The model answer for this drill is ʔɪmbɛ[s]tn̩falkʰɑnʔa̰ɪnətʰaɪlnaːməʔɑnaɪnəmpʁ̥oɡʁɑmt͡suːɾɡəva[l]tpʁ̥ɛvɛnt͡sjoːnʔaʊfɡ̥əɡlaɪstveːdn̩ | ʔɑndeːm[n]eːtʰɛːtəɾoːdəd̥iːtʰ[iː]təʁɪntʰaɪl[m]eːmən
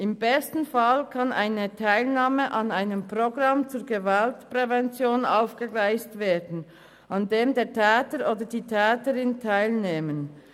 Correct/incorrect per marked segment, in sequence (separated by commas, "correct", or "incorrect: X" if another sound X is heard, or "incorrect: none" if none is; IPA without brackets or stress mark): correct, correct, incorrect: d, incorrect: ɛː, incorrect: n